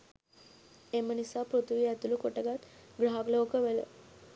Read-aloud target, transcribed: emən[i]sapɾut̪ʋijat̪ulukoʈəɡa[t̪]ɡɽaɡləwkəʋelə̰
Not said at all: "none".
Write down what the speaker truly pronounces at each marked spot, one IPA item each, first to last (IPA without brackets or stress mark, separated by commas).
i, t̪